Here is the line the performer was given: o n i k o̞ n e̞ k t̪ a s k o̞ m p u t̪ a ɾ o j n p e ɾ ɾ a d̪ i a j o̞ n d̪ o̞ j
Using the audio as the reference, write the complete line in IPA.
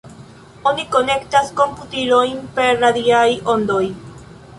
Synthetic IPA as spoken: o n i k o̞ n e̞ k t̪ a s k o̞ m p u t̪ i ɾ o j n p e ɾ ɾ a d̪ i a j o̞ n d̪ o̞ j